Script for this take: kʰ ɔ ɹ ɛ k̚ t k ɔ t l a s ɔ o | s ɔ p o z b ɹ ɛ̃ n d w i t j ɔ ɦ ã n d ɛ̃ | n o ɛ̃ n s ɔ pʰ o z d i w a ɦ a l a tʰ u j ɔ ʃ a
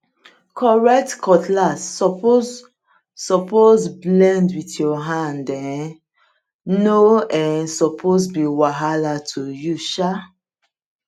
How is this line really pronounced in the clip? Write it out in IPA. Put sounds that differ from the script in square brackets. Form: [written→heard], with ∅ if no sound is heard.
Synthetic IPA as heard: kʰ ɔ ɹ ɛ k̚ t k ɔ t l a s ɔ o | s ɔ p o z b [ɹ→l] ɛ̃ n d w i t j ɔ ɦ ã n d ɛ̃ | n o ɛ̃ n s ɔ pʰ o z [d→b] i w a ɦ a l a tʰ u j [ɔ→u] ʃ a